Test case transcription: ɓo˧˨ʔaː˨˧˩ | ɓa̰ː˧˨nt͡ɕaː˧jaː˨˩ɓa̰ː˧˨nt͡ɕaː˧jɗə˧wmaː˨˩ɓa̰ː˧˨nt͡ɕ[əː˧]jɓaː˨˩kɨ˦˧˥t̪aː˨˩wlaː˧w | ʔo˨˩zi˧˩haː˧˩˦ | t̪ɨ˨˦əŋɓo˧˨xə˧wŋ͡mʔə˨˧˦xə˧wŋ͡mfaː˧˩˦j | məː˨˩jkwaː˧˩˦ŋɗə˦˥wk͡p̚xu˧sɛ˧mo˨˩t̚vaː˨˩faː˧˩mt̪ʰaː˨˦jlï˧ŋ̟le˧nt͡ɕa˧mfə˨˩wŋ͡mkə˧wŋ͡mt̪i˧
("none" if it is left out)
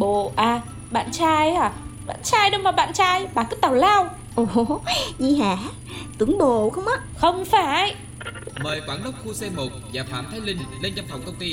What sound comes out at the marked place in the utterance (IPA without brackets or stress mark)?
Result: aː˧